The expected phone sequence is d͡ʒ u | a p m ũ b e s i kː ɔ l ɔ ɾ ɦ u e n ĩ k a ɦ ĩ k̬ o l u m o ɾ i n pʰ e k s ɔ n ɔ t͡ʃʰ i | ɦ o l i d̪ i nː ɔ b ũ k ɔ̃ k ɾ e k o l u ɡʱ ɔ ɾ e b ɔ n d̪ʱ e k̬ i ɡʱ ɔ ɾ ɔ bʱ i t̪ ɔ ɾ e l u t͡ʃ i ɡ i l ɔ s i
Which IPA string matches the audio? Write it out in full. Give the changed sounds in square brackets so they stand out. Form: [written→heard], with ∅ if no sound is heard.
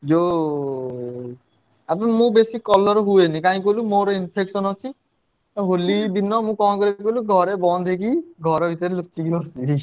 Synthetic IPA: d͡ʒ [u→o] | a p m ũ b e s i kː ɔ l ɔ ɾ ɦ u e n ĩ k a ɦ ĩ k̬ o l u m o ɾ i n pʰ e k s ɔ n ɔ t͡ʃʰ i | ɦ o l i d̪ i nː ɔ [b→m] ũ k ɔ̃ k ɾ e k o l u ɡʱ ɔ ɾ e b ɔ n d̪ʱ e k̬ i ɡʱ ɔ ɾ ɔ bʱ i t̪ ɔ ɾ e l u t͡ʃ i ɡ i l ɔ s i